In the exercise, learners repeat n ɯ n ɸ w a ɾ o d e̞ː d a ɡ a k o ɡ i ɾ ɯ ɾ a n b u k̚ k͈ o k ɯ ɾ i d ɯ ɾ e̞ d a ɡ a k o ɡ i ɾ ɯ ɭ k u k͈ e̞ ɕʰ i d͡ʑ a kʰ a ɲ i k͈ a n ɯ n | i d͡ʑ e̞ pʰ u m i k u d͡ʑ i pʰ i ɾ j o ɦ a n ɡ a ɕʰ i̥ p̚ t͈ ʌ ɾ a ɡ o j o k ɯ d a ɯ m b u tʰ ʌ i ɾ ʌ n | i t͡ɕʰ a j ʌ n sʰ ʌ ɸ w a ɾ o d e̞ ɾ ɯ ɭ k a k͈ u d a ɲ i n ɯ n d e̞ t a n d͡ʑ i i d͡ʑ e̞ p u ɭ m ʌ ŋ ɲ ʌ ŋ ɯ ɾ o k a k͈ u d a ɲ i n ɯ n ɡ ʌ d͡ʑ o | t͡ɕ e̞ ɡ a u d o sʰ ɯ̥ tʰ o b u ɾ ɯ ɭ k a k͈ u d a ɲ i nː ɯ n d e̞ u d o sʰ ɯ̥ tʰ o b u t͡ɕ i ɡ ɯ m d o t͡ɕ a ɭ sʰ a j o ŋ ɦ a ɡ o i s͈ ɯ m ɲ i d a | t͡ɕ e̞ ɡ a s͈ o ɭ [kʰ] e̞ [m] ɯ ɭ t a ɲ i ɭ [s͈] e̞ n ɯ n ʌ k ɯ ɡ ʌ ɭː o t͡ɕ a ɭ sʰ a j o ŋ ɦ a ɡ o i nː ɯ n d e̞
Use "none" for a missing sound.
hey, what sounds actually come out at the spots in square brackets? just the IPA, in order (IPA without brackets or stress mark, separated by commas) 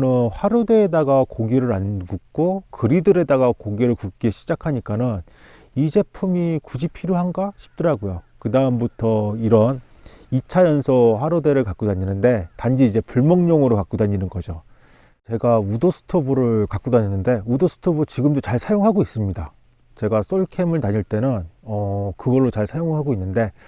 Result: kʰ, m, t͈